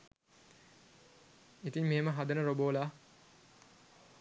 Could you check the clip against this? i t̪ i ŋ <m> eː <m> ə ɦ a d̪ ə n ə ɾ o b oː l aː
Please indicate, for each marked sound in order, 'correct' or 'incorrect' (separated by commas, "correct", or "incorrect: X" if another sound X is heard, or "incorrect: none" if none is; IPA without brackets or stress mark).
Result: correct, correct